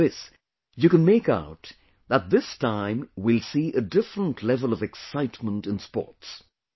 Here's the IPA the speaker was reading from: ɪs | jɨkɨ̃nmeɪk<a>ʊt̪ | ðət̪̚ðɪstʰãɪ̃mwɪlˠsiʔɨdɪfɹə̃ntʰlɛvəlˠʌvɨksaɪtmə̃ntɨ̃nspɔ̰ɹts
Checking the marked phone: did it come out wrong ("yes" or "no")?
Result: no